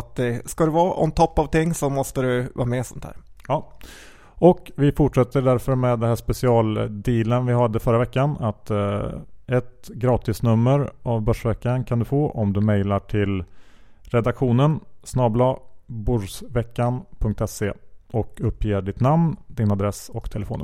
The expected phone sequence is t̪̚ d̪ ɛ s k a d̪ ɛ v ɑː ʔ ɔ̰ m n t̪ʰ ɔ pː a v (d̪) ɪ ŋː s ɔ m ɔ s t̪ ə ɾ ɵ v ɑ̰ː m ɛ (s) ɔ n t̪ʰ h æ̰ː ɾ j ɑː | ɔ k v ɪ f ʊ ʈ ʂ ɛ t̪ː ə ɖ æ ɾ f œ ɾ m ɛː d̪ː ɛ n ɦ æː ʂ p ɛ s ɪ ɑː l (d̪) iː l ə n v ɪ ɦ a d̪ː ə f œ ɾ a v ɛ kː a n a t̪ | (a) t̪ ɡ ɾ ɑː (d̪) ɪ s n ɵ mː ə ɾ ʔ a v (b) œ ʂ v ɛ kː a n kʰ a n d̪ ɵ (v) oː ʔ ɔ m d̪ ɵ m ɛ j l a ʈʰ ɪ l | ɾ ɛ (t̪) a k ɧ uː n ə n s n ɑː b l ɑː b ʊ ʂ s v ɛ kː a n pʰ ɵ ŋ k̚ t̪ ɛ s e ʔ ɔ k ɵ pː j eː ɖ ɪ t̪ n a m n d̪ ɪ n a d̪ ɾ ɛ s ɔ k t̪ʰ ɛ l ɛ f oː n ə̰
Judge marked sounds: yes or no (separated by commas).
no, yes, yes, no, no, yes, no, no